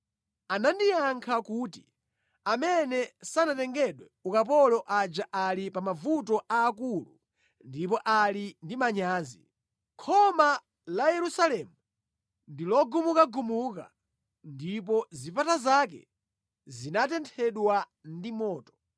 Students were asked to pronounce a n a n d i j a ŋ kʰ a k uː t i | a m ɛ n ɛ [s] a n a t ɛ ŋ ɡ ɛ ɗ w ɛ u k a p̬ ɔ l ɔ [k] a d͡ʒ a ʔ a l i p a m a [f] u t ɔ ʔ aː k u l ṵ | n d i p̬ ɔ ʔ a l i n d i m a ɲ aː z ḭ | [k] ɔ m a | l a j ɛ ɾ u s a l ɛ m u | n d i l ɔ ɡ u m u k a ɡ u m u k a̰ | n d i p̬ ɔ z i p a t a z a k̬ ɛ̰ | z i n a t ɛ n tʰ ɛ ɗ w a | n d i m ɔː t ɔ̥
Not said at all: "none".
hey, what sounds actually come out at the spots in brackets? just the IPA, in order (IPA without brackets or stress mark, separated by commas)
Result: s, ʔ, v, kʰ